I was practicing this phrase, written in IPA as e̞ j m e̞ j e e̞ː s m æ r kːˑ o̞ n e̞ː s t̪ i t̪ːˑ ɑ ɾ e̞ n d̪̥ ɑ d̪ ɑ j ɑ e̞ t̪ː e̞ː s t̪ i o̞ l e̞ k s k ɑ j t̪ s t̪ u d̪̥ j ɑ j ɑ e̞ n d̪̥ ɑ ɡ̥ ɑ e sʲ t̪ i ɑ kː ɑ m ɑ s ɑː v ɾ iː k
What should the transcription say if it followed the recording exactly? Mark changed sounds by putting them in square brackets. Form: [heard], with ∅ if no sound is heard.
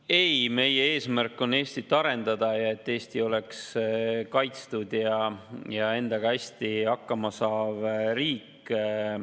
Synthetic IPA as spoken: e̞ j m e̞ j e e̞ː s m æ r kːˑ o̞ n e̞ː s t̪ i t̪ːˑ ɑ ɾ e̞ n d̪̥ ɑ d̪ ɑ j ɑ e̞ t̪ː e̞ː s t̪ i o̞ l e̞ k s k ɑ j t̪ s t̪ u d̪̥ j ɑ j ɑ e̞ n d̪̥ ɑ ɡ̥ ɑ [æ] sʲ t̪ i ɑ kː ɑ m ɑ s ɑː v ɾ iː k